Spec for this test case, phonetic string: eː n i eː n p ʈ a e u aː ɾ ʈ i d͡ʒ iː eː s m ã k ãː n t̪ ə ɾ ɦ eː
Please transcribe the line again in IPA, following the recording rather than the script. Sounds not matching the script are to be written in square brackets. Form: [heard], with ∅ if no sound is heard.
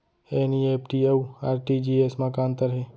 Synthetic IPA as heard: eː n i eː [∅] p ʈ [i] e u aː ɾ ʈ i d͡ʒ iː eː s m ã k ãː n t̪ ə ɾ ɦ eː